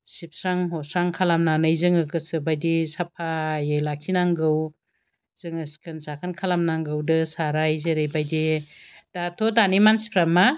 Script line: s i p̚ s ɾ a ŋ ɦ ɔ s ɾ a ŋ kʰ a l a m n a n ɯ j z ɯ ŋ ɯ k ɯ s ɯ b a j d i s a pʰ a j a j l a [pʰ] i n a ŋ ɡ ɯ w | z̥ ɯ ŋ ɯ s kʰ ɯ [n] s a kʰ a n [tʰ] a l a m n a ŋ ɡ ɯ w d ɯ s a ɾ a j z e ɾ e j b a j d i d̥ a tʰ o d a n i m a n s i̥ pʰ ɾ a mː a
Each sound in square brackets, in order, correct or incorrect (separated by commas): incorrect, correct, incorrect